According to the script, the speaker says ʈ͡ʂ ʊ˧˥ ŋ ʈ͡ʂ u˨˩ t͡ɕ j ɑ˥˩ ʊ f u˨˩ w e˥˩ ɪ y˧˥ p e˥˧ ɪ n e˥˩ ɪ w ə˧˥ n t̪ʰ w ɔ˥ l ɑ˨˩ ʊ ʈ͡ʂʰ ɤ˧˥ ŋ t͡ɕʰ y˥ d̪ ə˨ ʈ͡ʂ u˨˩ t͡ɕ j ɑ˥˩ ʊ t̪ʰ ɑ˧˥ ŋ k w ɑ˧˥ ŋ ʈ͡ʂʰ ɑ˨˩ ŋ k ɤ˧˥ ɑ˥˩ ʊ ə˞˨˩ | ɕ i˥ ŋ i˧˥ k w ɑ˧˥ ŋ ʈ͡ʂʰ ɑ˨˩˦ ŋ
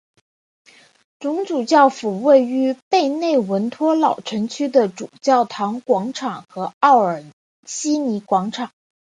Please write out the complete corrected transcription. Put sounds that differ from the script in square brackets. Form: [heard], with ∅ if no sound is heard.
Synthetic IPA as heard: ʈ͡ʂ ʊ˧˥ ŋ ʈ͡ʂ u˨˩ t͡ɕ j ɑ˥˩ ʊ f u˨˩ w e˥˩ ɪ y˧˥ p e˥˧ ɪ n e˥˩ ɪ w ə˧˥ n t̪ʰ w ɔ˥ l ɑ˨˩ ʊ ʈ͡ʂʰ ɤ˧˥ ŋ t͡ɕʰ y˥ d̪ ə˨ ʈ͡ʂ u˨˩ t͡ɕ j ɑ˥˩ ʊ t̪ʰ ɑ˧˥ ŋ k w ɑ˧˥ ŋ ʈ͡ʂʰ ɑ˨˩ ŋ [x] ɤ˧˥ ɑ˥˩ ʊ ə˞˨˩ | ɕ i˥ [n] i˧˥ k w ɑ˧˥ ŋ ʈ͡ʂʰ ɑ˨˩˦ ŋ